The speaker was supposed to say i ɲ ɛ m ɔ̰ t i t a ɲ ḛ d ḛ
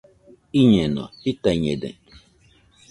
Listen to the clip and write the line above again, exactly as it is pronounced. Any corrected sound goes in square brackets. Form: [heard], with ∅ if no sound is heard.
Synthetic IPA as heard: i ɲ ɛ [n] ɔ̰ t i t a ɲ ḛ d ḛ